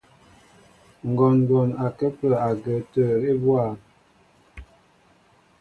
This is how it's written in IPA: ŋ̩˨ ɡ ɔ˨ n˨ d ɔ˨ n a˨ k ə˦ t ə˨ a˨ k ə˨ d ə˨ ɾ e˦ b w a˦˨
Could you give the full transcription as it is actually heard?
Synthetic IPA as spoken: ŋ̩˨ ɡ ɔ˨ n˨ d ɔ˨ n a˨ k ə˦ p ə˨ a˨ ɡ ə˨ t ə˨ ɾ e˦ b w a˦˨